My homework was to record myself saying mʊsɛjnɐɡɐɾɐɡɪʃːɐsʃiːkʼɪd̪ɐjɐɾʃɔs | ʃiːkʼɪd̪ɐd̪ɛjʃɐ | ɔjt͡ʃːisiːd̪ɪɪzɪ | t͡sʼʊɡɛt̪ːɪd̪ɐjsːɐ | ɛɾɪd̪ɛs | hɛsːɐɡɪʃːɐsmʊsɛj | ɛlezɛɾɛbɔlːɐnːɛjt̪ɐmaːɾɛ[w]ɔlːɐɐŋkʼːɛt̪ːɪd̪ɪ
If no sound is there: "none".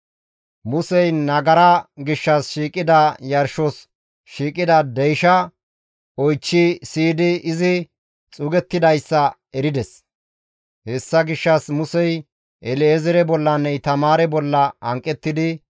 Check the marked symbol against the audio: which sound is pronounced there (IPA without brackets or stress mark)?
b